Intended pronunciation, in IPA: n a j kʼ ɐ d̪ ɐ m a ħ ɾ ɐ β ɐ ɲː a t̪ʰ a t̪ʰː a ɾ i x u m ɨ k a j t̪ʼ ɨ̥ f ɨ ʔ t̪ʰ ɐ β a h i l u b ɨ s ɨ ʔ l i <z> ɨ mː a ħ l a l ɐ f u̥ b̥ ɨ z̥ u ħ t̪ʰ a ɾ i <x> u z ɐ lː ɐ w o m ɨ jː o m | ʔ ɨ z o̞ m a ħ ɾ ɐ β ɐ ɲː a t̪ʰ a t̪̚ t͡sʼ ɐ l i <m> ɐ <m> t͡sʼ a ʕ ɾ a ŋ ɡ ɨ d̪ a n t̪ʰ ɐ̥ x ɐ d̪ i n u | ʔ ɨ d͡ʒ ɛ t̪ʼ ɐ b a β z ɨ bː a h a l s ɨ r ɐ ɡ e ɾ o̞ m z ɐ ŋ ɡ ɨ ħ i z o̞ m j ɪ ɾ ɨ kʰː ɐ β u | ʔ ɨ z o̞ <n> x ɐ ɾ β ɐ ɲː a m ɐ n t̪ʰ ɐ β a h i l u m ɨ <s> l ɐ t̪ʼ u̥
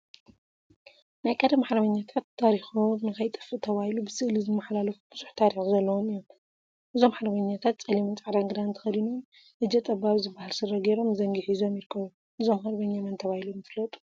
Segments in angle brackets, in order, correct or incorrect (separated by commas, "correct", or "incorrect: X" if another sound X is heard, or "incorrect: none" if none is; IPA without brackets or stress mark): correct, correct, correct, incorrect: n, incorrect: m, incorrect: f